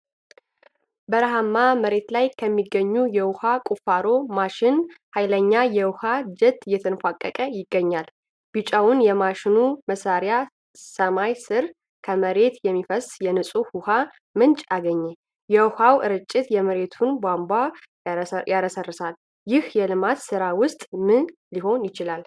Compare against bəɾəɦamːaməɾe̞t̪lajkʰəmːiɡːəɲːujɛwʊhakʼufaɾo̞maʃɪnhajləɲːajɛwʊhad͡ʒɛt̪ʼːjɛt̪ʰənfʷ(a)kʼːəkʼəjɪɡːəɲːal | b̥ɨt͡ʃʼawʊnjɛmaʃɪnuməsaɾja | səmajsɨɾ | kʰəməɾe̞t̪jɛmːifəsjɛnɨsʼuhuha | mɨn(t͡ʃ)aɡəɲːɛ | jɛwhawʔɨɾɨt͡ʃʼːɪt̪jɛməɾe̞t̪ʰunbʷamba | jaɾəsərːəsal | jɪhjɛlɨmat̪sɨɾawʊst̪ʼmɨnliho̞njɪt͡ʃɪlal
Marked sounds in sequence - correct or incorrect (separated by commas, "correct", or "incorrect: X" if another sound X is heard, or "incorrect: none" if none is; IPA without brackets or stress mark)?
correct, incorrect: t͡ʃʼ